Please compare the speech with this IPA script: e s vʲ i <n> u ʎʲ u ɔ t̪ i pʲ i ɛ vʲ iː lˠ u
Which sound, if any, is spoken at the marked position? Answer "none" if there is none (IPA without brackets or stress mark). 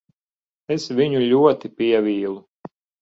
ɲ